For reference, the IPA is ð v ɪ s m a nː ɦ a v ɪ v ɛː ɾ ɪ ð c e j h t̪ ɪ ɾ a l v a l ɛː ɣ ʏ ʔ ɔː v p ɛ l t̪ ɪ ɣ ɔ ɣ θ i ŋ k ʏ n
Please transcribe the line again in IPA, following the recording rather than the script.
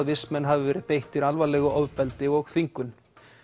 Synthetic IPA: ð v ɪ s m ɛ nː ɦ a v ɪ v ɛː ɾ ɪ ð p e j h t̪ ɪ ɾ a l v a l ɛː ɣ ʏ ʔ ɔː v p ɛ l t̪ ɪ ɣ ɔ ɣ θ i ŋ k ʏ n